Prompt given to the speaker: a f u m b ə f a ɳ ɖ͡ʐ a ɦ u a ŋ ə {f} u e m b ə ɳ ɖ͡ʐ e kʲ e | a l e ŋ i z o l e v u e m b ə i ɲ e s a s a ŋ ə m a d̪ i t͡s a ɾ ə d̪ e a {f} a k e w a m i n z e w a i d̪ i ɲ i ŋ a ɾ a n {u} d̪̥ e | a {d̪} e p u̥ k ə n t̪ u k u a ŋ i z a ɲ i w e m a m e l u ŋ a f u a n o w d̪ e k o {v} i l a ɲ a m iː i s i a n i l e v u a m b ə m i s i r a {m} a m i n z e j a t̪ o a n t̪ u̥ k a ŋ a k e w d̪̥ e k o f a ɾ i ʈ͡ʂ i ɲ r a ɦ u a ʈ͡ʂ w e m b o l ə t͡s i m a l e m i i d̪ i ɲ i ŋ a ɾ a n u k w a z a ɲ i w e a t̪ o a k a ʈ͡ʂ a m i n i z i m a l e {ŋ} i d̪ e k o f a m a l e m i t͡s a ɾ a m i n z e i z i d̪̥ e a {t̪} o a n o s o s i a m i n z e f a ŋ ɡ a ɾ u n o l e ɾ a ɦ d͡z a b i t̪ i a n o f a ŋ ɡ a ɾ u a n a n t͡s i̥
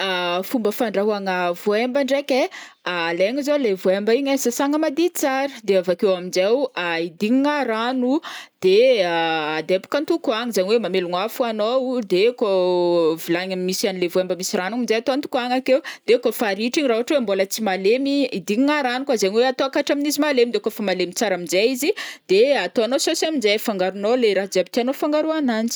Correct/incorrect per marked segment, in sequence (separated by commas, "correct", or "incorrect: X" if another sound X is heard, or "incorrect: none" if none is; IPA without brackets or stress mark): incorrect: v, incorrect: v, correct, correct, correct, incorrect: n, incorrect: m, correct